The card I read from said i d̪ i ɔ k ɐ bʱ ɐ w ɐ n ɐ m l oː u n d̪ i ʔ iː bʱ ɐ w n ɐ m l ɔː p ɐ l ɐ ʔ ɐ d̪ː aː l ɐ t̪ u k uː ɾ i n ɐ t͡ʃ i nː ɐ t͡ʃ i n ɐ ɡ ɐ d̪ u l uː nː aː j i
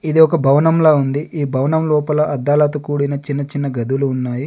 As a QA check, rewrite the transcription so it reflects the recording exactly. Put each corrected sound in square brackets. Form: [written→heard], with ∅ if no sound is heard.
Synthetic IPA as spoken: i d̪ i ɔ k ɐ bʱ ɐ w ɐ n ɐ m l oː u n d̪ i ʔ iː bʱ ɐ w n ɐ m l ɔː p ɐ l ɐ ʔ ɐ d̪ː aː l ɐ t̪ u k uː [ɾ→ɽ] i n ɐ t͡ʃ i nː ɐ t͡ʃ i [n→nː] ɐ ɡ ɐ d̪ u l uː nː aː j i

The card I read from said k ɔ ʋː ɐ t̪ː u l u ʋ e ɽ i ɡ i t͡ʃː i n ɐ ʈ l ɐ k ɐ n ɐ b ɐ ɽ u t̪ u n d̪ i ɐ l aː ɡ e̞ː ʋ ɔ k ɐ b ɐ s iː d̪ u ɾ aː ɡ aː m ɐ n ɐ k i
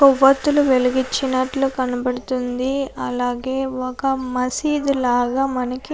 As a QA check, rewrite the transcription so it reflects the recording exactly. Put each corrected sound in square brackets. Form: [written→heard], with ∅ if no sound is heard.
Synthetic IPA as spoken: k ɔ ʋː ɐ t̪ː u l u ʋ e [ɽ→l] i ɡ i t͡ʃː i n ɐ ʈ l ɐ k ɐ n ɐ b ɐ ɽ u t̪ u n d̪ i ɐ l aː ɡ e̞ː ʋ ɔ k ɐ [b→m] ɐ s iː d̪ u [ɾ→l] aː ɡ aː m ɐ n ɐ k i

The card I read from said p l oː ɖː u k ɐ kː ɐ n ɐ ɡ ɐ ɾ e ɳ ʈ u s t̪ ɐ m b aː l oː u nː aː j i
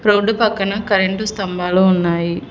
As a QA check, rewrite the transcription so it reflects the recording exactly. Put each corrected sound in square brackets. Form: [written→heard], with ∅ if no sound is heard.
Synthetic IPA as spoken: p [l→ɾ] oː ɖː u [k→p] ɐ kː ɐ n ɐ [ɡ→k] ɐ ɾ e ɳ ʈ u s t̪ ɐ m b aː l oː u nː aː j i

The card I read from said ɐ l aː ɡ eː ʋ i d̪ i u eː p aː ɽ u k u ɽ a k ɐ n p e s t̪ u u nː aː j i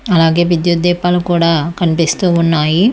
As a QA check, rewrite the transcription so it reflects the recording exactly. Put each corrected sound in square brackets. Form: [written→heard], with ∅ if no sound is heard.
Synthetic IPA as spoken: ɐ l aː ɡ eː ʋ i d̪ [i→j] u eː p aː [ɽ→l] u k [u→uː] ɽ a k ɐ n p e s t̪ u u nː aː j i

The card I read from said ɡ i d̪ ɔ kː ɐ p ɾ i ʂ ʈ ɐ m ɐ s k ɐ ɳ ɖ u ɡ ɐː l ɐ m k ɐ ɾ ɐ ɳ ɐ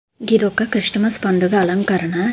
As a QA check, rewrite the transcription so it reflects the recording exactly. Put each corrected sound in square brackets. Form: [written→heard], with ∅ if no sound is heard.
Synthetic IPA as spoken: ɡ i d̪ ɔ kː ɐ [p→k] ɾ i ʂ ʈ ɐ m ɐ s [k→p] ɐ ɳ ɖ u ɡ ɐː l ɐ [m→ŋ] k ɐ ɾ ɐ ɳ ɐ

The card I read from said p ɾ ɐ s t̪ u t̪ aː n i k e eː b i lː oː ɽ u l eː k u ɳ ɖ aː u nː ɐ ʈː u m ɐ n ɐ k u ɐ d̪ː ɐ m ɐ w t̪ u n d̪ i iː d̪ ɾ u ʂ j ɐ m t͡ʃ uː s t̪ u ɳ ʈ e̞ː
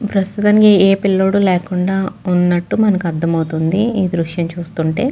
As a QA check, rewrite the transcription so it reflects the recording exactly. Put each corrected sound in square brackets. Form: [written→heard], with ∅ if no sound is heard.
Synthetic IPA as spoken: p ɾ ɐ s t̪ u t̪ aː n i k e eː [b→p] i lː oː ɽ u l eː k u ɳ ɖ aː u nː ɐ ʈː u m ɐ n ɐ k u ɐ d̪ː ɐ m ɐ w t̪ u n d̪ i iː d̪ ɾ u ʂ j ɐ m t͡ʃ uː s t̪ u ɳ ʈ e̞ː

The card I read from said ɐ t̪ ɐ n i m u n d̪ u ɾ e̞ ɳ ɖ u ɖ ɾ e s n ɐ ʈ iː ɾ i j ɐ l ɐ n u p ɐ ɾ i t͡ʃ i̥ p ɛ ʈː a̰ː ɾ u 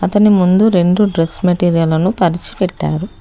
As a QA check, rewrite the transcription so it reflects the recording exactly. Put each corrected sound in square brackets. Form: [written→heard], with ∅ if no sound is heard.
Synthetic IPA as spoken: ɐ t̪ ɐ n i m u n d̪ u ɾ e̞ ɳ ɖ u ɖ ɾ e s [n→m] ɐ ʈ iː ɾ i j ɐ l ɐ n u p ɐ ɾ i t͡ʃ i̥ p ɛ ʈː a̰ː ɾ u

